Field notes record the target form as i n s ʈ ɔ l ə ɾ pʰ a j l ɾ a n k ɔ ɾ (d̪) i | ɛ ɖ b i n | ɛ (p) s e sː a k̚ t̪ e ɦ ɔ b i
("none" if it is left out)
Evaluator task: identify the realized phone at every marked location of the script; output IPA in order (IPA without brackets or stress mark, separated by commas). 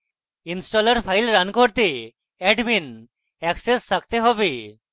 t̪, k